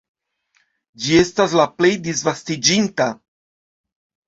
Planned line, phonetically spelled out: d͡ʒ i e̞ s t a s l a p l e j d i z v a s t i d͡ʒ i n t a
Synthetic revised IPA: d͡ʒ i e̞ s t a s l a p l e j d i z v a s t i d͡ʒ i n t a